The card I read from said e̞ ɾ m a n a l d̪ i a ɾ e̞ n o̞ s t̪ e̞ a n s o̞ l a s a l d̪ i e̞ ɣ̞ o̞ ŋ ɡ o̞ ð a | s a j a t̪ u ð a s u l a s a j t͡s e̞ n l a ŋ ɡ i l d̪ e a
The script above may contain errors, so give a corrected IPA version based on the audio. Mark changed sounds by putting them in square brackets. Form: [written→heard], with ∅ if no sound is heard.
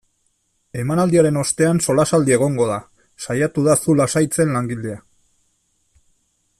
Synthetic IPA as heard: e̞ [ɾ→∅] m a n a l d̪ i a ɾ e̞ n o̞ s t̪ e̞ a n s o̞ l a s a l d̪ i e̞ ɣ̞ o̞ ŋ ɡ o̞ ð a | s a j a t̪ u ð a s u l a s a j t͡s e̞ n l a ŋ ɡ i l d̪ e a

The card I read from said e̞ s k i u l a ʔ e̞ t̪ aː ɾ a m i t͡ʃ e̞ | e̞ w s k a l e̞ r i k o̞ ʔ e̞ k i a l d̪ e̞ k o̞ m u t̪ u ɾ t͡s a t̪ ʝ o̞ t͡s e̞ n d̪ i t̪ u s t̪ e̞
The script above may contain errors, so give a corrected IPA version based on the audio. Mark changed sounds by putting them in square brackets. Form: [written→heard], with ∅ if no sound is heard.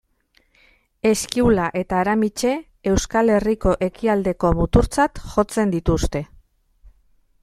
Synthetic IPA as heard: e̞ s k i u l a ʔ e̞ t̪ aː ɾ a m i t͡ʃ e̞ | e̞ w s k a l e̞ r i k o̞ ʔ e̞ k i a l d̪ e̞ k o̞ m u t̪ u ɾ t͡s a t̪ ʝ o̞ t͡s e̞ n d̪ i t̪ u s t̪ e̞

